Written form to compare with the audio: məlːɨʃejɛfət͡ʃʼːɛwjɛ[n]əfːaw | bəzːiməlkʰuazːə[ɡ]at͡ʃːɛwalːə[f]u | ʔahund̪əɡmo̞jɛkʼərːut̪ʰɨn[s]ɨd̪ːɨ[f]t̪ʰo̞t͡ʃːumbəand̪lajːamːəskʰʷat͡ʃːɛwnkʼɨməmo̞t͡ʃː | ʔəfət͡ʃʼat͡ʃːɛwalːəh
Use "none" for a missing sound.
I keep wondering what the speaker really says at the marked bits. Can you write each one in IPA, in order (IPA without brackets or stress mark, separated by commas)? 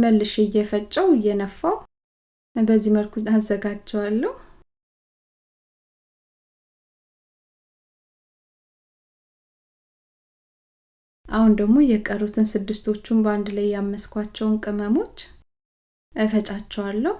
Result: n, ɡ, h, s, s